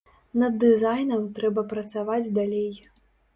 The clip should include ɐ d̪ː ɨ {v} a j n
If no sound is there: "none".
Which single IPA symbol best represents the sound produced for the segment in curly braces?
z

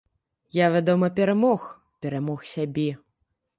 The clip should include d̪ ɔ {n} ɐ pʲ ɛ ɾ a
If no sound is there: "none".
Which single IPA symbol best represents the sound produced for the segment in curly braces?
m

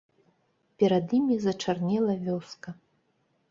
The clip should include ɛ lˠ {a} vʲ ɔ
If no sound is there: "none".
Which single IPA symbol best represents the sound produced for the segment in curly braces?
ɐ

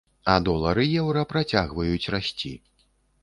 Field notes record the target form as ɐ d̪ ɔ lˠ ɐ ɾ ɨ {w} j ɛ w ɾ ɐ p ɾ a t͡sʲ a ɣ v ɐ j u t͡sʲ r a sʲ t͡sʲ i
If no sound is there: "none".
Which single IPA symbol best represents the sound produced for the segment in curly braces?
none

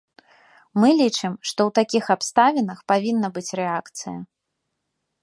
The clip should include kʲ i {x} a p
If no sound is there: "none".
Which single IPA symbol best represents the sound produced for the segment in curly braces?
x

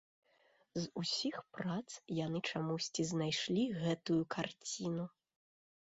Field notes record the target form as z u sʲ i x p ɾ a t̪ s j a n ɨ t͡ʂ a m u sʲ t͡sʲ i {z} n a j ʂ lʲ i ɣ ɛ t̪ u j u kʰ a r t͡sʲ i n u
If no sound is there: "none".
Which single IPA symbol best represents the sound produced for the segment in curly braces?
z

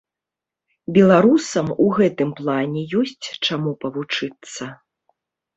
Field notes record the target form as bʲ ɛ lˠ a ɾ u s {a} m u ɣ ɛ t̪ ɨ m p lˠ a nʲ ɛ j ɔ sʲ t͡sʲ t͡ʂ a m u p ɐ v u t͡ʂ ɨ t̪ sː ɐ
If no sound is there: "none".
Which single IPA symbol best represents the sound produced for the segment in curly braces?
ɐ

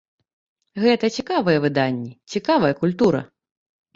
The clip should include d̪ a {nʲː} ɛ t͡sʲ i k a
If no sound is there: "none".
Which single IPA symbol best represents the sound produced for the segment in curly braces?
nʲː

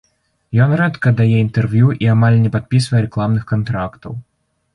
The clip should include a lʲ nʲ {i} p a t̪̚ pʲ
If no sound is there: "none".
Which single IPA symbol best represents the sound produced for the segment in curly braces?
ɛ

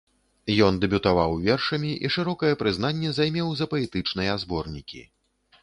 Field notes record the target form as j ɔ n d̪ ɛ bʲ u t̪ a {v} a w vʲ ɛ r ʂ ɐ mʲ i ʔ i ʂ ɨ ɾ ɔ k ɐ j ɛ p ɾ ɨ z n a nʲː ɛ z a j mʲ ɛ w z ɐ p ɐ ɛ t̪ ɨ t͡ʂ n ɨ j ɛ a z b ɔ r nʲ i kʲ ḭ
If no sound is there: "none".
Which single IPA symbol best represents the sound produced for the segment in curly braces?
v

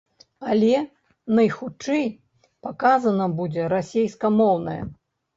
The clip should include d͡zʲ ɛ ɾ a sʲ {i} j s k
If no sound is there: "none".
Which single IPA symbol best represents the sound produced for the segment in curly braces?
e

